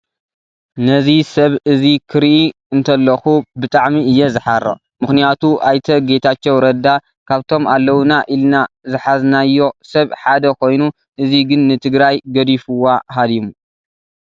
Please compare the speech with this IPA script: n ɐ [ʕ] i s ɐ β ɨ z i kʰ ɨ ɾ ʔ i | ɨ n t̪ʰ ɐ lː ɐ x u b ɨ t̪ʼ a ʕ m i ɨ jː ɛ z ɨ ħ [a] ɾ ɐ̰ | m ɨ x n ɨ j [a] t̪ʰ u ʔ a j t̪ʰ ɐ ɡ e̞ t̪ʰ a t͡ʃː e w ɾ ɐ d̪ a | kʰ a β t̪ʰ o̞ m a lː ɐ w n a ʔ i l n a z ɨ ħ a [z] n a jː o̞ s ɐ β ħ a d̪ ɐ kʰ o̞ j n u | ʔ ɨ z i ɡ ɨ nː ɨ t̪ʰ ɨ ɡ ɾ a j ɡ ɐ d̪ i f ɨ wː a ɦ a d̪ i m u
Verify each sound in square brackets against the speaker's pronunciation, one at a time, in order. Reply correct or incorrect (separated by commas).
incorrect, correct, correct, correct